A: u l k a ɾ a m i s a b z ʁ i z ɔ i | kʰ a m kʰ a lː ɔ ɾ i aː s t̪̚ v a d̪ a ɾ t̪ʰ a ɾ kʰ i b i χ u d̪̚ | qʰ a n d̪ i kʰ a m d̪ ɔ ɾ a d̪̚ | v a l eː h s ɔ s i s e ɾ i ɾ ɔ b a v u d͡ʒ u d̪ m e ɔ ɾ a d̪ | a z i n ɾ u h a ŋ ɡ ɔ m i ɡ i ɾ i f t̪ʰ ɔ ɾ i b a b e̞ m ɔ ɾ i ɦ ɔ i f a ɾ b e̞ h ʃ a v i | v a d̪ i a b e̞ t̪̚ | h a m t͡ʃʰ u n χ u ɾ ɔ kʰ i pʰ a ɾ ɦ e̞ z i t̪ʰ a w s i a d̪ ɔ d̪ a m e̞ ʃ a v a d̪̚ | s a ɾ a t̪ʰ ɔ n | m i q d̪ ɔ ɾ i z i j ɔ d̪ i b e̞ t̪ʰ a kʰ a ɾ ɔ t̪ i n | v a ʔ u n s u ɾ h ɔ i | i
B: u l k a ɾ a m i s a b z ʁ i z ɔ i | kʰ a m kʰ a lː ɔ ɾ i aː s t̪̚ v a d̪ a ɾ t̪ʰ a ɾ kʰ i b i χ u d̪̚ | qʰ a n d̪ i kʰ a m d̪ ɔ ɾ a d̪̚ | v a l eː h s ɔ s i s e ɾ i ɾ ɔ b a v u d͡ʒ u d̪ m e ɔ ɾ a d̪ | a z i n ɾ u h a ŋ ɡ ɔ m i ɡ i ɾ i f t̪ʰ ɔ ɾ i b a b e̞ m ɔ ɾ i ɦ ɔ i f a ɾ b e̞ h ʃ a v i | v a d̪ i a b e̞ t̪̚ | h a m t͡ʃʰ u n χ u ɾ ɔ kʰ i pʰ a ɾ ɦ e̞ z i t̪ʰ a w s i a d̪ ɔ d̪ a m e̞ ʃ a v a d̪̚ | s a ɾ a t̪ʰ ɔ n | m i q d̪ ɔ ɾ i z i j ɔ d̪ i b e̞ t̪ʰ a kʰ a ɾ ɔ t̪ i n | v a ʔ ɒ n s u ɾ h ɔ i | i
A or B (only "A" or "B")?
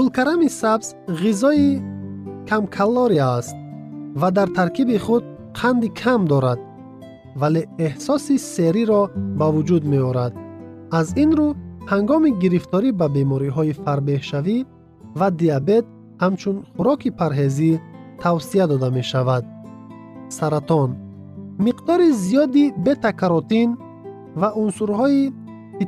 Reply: A